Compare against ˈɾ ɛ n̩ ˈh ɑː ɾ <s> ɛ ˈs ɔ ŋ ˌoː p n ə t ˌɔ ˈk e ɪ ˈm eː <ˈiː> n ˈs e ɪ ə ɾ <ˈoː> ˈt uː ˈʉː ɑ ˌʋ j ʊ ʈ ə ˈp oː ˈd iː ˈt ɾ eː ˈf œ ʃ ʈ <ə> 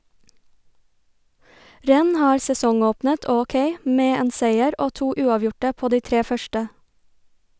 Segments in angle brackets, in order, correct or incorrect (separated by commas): correct, incorrect, correct, correct